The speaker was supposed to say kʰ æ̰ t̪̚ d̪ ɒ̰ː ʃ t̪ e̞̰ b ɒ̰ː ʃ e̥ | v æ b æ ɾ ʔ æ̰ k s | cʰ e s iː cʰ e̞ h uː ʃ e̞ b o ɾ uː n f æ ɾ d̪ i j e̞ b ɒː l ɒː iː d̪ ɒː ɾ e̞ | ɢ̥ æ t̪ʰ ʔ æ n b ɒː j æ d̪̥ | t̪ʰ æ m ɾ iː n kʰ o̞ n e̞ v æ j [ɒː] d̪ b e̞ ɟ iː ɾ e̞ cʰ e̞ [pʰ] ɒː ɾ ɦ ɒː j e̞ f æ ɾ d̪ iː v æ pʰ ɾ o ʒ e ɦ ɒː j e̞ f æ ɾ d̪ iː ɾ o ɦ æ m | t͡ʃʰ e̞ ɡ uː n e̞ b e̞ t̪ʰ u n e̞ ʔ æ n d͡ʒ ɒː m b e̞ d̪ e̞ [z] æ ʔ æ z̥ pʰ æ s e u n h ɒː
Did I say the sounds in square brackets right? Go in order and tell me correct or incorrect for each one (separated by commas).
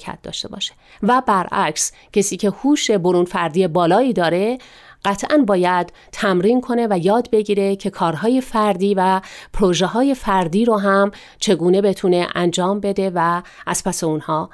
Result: correct, incorrect, incorrect